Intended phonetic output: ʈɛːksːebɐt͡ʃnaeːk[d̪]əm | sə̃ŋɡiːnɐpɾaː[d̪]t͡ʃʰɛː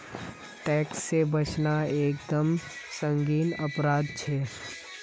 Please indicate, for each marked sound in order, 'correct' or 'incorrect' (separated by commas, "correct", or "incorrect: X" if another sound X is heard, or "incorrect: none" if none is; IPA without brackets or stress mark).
correct, correct